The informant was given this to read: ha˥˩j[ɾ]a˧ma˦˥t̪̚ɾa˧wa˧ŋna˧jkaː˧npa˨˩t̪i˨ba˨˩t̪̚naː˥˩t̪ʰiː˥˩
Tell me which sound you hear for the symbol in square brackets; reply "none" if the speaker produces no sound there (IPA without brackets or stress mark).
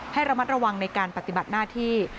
ɾ